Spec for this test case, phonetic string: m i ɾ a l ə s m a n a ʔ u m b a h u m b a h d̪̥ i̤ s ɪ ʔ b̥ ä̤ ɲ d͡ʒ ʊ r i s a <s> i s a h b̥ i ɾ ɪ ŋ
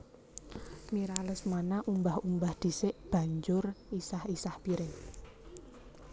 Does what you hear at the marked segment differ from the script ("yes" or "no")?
yes